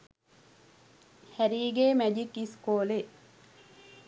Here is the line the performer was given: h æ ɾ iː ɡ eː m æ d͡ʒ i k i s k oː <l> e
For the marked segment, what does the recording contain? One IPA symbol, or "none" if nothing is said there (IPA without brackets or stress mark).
l